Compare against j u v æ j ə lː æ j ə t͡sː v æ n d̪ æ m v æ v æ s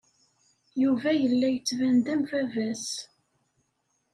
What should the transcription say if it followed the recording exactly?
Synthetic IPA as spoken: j u v æ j ə lː æ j ə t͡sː v æ n d̪ æ m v æ v æ s